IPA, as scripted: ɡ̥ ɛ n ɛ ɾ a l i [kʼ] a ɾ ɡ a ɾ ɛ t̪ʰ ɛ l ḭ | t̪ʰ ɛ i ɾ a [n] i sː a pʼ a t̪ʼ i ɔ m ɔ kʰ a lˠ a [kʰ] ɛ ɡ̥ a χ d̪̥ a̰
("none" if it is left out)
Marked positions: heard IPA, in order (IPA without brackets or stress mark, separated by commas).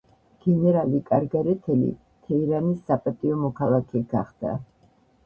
kʼ, n, kʰ